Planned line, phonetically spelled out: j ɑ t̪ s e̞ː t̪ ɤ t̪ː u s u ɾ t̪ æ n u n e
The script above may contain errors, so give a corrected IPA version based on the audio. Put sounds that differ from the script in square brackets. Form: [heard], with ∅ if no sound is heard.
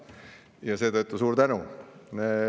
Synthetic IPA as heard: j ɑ [∅] s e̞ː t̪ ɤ t̪ː u s [uː] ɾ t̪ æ n u n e